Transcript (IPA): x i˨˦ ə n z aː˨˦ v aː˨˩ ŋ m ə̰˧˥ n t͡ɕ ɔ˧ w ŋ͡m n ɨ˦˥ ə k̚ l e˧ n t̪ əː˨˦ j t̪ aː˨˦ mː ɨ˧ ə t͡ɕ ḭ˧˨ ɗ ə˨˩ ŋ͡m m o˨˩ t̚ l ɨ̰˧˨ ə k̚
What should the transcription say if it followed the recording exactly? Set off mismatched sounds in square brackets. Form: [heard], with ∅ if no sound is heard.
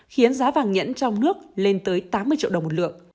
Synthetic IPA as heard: x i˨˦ ə n z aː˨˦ v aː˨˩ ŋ [ɲ] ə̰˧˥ n t͡ɕ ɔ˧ w ŋ͡m n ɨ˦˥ ə k̚ l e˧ n t̪ əː˨˦ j t̪ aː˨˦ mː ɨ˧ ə t͡ɕ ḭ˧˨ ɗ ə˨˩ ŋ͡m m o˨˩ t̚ l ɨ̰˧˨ ə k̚